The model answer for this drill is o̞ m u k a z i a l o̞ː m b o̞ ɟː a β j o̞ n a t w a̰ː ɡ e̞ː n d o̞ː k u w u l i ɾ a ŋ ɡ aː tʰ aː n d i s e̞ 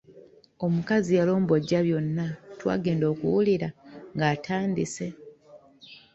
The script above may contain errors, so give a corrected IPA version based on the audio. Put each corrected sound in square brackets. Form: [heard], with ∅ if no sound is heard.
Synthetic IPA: o̞ m u k a z i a l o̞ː m b o̞ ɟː a β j o̞ [nː] a t w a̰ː ɡ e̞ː n d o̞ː k u w u l i ɾ a ŋ ɡ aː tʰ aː n d i s e̞

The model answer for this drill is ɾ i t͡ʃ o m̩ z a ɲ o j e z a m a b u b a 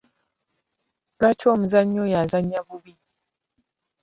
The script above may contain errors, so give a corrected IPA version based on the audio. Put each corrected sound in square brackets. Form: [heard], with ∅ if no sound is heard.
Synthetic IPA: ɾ [a] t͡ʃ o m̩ z a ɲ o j [a] z a [ɲ] a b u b [i]

